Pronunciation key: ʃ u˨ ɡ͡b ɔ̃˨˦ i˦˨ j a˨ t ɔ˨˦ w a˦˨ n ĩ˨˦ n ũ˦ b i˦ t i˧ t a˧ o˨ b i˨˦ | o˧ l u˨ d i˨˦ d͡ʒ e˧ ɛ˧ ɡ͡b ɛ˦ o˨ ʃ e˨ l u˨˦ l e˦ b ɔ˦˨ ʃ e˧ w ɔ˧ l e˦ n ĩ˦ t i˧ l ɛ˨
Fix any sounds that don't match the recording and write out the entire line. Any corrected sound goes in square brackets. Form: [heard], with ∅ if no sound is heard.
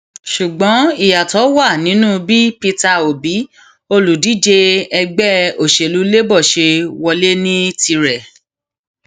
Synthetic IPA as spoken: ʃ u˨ ɡ͡b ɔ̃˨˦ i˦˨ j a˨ t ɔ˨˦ w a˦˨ n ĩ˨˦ n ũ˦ b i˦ [p] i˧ t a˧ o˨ b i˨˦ | o˧ l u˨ d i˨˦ d͡ʒ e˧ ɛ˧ ɡ͡b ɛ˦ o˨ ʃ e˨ l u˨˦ l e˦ b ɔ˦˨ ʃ e˧ w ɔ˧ l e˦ n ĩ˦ t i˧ [ɾ] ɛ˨